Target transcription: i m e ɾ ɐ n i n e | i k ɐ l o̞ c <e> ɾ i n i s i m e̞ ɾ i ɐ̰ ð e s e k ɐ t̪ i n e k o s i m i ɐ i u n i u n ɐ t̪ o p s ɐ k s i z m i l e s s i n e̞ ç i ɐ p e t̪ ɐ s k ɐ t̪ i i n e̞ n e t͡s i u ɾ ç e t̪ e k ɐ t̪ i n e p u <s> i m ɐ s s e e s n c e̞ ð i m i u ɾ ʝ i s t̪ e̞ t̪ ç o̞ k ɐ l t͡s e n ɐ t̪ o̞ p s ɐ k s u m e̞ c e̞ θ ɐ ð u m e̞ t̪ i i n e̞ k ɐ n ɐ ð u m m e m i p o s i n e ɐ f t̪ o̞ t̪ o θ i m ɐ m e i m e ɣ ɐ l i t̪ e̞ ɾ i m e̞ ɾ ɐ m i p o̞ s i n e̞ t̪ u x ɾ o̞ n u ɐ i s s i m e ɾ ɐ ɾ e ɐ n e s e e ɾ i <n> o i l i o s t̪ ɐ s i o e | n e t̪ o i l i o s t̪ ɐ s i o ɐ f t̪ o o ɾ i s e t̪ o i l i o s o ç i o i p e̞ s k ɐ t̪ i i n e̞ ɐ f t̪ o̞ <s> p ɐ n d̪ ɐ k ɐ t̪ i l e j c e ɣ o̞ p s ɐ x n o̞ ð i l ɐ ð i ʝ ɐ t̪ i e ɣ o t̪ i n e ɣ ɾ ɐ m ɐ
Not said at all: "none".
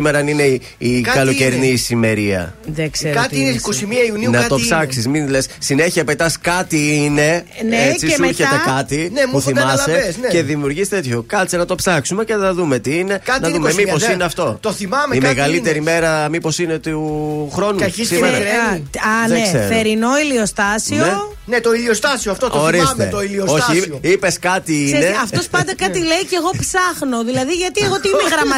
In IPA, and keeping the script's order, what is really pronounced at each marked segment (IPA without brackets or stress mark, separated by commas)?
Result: e, θ, n, s